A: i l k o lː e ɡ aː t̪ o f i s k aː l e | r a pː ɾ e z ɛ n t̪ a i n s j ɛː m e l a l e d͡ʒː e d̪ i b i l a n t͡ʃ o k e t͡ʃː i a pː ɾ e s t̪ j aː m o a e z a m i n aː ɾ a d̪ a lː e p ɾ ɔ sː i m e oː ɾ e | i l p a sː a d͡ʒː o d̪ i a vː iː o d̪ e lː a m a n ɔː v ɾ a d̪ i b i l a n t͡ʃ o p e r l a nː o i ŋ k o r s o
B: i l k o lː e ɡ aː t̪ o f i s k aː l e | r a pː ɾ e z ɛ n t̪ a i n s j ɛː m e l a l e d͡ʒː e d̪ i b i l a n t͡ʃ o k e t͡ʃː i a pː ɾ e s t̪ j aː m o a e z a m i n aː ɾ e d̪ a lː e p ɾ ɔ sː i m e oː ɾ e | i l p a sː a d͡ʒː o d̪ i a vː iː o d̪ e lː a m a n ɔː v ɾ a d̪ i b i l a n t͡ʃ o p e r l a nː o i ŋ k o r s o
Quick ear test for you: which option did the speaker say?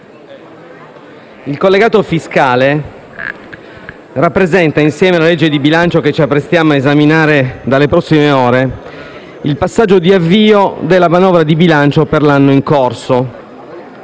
B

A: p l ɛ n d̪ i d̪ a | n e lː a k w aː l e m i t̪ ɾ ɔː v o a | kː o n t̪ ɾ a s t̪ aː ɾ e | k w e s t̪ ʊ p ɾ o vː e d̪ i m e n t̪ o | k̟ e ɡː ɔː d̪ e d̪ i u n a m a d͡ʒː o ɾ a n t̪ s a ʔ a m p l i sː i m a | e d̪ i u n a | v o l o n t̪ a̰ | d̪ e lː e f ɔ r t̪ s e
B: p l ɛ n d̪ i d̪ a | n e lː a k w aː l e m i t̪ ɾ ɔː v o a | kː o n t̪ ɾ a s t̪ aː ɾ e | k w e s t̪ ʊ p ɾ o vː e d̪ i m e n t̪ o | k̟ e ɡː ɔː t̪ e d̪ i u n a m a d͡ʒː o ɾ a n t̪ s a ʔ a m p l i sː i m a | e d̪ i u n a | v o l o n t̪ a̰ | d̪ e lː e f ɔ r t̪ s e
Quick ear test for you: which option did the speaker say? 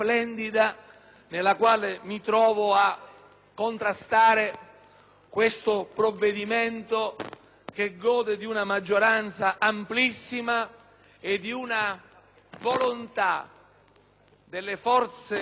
A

